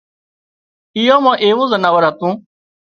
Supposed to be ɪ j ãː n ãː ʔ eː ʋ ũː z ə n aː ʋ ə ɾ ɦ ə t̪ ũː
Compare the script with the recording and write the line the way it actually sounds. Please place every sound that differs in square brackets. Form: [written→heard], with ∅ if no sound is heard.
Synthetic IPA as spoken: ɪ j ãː [n→m] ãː ʔ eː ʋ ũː z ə n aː ʋ ə ɾ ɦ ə t̪ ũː